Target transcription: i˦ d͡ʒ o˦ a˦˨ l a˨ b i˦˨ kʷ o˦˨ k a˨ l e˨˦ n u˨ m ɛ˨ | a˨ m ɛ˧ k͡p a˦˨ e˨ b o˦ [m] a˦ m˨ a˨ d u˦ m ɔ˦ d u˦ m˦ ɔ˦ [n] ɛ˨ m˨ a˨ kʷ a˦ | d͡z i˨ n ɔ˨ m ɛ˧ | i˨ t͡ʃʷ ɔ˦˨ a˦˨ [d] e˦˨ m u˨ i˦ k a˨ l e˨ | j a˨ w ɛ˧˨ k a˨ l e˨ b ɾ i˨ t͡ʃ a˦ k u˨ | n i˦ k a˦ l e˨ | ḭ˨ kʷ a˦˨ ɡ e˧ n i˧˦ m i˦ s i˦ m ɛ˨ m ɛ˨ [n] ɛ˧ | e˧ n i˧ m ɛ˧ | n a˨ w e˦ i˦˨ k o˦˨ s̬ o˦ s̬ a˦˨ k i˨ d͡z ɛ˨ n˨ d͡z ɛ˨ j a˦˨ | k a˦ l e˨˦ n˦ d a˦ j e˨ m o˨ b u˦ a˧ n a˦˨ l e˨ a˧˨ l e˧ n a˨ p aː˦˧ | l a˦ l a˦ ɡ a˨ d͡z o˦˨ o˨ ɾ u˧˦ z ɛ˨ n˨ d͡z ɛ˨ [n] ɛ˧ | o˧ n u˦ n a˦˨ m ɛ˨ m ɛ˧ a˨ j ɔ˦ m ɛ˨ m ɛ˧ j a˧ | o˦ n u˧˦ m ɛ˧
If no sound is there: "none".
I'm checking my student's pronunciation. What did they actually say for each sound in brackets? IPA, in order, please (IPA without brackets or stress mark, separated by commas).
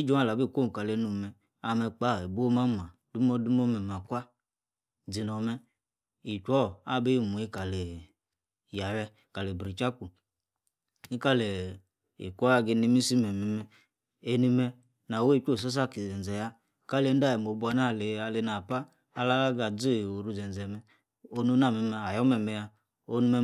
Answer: m, m, b, m, m